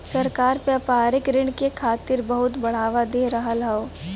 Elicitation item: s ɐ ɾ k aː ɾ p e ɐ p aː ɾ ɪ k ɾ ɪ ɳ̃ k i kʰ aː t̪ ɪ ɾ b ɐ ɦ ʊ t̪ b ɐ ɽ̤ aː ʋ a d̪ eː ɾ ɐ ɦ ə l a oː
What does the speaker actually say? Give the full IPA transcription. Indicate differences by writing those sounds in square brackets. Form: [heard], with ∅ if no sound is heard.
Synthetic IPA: s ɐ ɾ k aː ɾ p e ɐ p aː ɾ ɪ k ɾ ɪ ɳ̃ k [e] kʰ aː t̪ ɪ ɾ b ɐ ɦ ʊ t̪ b ɐ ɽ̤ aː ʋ a d̪ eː ɾ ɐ ɦ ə l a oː

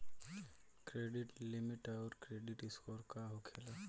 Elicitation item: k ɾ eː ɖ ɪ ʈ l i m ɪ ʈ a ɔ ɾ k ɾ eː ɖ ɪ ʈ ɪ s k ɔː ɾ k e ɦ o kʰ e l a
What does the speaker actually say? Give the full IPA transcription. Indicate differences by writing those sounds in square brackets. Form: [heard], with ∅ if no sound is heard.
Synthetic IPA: k ɾ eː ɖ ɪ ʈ l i m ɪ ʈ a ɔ ɾ k ɾ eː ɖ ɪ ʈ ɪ s k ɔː ɾ k [a] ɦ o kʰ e l a

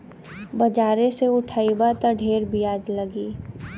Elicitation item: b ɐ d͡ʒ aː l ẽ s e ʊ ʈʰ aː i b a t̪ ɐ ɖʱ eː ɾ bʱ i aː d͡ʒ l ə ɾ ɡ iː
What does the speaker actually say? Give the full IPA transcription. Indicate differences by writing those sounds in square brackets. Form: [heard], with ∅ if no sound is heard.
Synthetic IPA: b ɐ d͡ʒ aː [ɾ] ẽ s e ʊ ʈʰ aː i b a t̪ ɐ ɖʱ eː ɾ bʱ i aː d͡ʒ l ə [∅] ɡ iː

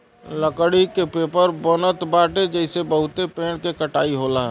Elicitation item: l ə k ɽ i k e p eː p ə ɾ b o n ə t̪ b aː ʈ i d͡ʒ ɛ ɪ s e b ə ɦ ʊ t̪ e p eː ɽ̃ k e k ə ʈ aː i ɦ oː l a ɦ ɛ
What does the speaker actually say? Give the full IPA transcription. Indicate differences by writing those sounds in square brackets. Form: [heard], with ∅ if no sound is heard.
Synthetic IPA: l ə k ɽ i k e p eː p ə ɾ b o n ə t̪ b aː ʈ [e] d͡ʒ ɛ ɪ s e b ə ɦ ʊ t̪ e p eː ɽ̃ k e k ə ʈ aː i ɦ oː l a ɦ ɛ

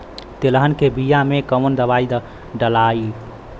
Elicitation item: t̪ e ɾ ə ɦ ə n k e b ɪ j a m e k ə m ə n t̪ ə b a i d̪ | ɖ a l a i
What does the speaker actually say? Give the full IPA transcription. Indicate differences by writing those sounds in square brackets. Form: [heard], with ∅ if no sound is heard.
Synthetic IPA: t̪ e [l] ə ɦ ə n k e b [i] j a m e k ə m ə n [d̪] ə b a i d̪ | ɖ [ə] l a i

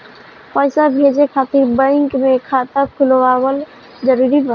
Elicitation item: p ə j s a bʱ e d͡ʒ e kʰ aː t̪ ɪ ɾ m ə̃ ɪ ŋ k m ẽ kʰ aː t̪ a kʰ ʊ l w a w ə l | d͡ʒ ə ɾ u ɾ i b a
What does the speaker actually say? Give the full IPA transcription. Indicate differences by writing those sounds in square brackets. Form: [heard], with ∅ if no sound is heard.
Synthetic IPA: p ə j s a bʱ e d͡ʒ e kʰ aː t̪ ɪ ɾ [b] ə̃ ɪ ŋ k m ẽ kʰ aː t̪ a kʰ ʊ l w a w ə l | d͡ʒ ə ɾ u ɾ i b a

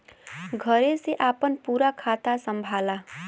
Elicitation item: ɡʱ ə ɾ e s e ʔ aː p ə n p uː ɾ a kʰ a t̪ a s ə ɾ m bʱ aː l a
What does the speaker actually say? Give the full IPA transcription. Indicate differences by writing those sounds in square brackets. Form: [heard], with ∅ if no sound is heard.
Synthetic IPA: ɡʱ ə ɾ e s e ʔ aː p ə n p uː ɾ a kʰ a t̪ a s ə [∅] m bʱ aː l a

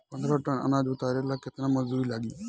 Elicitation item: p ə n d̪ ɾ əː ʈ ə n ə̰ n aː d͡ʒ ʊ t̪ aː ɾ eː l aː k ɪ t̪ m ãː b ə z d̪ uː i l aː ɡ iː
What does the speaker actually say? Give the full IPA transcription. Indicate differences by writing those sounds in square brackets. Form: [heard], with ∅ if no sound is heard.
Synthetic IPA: p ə n d̪ ɾ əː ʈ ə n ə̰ n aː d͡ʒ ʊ t̪ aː ɾ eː l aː k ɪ t̪ [n] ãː [m] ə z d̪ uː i l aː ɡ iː

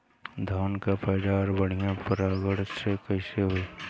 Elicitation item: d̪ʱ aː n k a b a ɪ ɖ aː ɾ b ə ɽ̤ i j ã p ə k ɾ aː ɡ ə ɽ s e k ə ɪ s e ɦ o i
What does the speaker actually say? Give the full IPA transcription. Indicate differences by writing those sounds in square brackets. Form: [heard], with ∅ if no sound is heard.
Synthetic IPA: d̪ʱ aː n k a [p] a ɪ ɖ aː ɾ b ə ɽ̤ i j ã p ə [∅] ɾ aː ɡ ə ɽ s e k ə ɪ s e ɦ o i

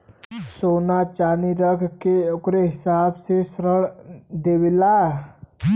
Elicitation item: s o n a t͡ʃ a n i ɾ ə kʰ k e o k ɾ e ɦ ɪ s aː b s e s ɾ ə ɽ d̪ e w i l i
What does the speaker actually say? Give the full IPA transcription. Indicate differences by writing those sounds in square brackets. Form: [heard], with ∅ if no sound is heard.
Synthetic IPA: s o n a t͡ʃ a n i ɾ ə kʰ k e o k ɾ e ɦ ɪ s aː b s e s ɾ ə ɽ d̪ e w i l [a]

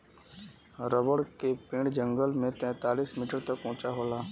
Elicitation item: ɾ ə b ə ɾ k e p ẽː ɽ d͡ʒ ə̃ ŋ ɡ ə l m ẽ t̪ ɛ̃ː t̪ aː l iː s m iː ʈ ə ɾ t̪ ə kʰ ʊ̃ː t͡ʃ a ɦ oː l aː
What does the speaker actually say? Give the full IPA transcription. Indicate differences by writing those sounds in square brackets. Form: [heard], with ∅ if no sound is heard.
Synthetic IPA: ɾ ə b ə [ɽ] k e p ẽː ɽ d͡ʒ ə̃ ŋ ɡ ə l m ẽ t̪ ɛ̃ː t̪ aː l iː s m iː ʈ ə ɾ t̪ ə [k] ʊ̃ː t͡ʃ a ɦ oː l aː

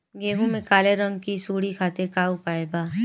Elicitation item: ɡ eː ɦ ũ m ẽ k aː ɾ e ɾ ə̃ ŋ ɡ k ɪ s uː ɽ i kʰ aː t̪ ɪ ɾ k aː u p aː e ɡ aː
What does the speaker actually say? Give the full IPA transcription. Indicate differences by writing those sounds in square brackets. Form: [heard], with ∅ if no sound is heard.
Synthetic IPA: ɡ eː ɦ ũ m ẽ k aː [l] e ɾ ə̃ ŋ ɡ k [i] s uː ɽ i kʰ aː t̪ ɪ ɾ k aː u p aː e [b] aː

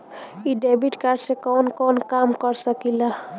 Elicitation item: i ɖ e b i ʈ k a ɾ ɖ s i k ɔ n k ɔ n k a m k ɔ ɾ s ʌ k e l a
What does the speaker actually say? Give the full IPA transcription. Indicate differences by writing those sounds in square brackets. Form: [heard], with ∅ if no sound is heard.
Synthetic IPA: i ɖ e b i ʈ k a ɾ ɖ s [e] k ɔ n k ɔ n k a m k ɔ ɾ s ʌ k [i] l a

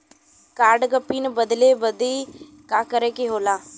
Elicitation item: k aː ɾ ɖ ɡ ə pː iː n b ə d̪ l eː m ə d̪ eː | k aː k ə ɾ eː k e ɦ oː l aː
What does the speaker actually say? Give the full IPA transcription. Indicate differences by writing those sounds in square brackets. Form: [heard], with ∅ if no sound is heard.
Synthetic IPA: k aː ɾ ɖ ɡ ə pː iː n b ə d̪ l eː [b] ə d̪ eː | k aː k ə ɾ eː k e ɦ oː l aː

